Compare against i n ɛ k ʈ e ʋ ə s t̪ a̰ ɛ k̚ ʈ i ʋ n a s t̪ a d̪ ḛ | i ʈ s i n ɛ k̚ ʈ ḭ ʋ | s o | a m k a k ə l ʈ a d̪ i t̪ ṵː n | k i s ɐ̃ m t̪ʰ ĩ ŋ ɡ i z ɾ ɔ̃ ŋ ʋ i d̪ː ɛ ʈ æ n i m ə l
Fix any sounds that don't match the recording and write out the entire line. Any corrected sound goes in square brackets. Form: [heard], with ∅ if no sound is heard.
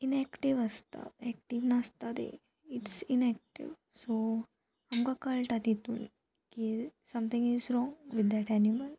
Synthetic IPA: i n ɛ k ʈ [i] ʋ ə s t̪ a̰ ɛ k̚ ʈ i ʋ n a s t̪ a d̪ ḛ | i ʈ s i n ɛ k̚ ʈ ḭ ʋ | s o | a m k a k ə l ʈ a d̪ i t̪ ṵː n | k i s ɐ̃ m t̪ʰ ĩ ŋ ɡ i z ɾ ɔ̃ ŋ ʋ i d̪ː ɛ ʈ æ n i m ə l